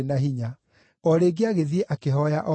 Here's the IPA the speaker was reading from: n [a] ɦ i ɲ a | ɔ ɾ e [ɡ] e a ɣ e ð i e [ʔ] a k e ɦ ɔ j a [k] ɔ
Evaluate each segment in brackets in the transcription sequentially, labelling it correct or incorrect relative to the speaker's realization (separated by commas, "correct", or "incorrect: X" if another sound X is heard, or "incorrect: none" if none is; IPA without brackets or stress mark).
correct, correct, correct, incorrect: ʔ